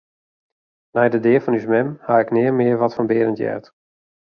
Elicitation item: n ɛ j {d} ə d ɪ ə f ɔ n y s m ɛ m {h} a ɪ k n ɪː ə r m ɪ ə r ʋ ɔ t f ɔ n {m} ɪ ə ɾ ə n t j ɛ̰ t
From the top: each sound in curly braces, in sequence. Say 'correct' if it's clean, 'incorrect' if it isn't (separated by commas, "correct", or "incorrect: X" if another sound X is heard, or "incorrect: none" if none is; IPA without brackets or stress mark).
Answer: correct, correct, incorrect: b